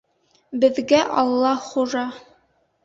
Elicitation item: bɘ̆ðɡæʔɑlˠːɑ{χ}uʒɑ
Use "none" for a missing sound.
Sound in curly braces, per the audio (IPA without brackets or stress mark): χ